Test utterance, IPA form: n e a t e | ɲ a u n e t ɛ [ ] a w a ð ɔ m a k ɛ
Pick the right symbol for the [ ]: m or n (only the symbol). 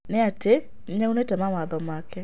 m